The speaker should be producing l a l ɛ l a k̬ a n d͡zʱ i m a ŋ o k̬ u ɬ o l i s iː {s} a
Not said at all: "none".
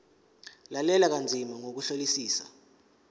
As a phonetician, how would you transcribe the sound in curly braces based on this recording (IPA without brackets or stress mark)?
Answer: s